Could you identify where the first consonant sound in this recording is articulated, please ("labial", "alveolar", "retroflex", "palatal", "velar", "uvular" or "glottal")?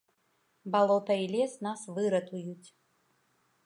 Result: labial